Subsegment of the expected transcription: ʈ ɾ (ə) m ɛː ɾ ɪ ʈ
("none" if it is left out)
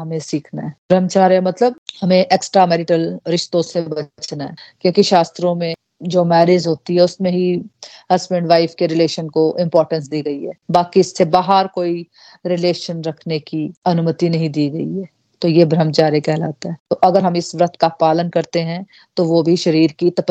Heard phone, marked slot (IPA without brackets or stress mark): a